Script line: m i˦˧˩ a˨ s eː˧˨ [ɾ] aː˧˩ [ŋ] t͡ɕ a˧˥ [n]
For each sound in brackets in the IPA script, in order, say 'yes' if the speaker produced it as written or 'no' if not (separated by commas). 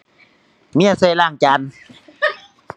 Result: no, yes, yes